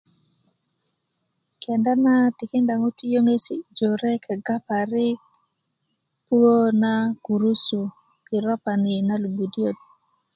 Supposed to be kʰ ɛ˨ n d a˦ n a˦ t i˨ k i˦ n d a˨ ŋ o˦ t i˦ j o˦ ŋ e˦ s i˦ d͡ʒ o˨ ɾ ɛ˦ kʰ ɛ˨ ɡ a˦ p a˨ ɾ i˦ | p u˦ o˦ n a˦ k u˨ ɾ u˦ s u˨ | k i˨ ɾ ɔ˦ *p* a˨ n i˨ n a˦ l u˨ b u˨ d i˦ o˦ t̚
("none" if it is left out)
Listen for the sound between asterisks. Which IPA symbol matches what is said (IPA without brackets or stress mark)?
p